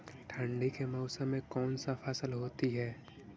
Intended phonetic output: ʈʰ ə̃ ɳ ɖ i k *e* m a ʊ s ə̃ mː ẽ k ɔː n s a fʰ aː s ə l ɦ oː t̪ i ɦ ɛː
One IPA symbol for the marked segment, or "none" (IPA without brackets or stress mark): e